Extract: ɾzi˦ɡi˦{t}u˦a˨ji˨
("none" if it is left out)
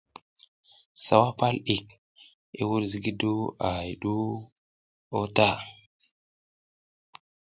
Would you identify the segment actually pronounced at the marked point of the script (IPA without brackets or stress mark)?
d